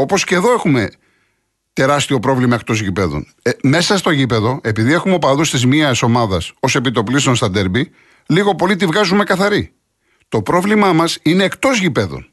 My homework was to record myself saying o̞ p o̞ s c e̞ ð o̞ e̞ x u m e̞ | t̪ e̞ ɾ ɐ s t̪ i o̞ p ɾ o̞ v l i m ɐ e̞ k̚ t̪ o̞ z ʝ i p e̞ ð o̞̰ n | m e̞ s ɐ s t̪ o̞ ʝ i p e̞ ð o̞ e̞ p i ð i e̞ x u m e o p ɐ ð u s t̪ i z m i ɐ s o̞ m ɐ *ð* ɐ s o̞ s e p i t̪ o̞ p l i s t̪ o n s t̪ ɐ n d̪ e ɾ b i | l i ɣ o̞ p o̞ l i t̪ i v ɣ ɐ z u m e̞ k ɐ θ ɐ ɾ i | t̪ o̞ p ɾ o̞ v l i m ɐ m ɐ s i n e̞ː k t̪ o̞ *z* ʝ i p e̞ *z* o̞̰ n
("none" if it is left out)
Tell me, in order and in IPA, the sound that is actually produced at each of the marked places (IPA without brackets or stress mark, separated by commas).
ð, z, ð